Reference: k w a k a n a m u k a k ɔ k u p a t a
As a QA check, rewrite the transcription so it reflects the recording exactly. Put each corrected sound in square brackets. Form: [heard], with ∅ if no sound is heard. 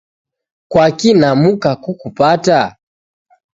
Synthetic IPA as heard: k w a k [i] n a m u k a k [u] k u p a t a